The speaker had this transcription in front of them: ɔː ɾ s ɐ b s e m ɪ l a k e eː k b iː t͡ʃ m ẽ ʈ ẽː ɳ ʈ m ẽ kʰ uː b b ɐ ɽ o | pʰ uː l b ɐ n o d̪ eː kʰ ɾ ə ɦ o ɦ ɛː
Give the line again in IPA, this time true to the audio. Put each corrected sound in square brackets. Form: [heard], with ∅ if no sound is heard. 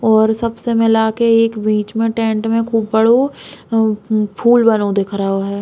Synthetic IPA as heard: ɔː ɾ s ɐ b s e m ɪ l a k e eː k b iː t͡ʃ m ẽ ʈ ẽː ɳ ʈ m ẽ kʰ uː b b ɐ ɽ o | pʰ uː l b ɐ n o d̪ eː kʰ ɾ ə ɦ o ɦ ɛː